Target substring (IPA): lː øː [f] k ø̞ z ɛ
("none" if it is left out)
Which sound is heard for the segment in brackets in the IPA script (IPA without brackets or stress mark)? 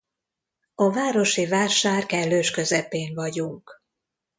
ʃ